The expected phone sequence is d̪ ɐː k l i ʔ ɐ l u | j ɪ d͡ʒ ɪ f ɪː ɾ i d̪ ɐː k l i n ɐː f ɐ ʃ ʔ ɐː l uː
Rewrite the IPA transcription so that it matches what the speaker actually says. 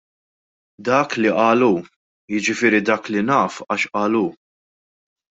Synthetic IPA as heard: d̪ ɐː k l i ʔ ɐː l u | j ɪ d͡ʒ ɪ f ɪː ɾ i d̪ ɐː k l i n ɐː f ɐ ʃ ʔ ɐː l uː